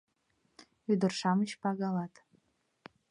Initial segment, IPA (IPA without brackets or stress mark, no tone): y